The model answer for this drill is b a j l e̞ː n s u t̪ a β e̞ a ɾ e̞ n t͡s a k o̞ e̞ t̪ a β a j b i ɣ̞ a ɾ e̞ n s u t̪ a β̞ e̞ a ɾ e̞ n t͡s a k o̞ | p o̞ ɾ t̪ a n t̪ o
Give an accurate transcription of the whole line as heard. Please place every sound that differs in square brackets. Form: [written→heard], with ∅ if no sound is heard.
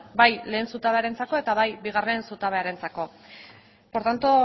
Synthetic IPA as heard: b a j l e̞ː n s u t̪ a β e̞ a ɾ e̞ n t͡s a k o̞ e̞ t̪ a β a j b i ɣ̞ a [ɾ→r] e̞ n s u t̪ a β̞ e̞ a ɾ e̞ n t͡s a k o̞ | p o̞ ɾ t̪ a n t̪ o